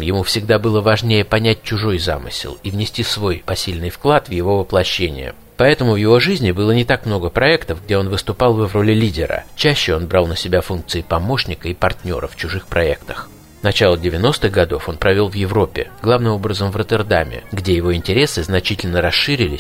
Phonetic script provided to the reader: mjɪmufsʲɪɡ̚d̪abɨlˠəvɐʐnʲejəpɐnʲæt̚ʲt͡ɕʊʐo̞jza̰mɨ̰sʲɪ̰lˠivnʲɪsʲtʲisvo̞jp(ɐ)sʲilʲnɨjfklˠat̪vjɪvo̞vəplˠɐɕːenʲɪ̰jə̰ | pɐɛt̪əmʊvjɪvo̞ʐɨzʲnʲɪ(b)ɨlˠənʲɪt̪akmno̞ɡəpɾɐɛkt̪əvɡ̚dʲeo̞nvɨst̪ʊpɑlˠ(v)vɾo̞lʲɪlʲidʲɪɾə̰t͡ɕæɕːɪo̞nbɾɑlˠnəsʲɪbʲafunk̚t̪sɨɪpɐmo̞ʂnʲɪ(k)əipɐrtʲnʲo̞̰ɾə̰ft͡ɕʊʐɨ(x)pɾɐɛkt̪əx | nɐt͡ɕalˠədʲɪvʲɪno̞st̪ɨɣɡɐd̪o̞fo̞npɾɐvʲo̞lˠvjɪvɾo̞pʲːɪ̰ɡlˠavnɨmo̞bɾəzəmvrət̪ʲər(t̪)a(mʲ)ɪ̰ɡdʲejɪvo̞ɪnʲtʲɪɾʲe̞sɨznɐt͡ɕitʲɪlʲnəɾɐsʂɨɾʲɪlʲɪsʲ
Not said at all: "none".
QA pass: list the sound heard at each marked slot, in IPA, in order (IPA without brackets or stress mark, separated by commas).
ɐ, b, v, k, x, d̪, mʲ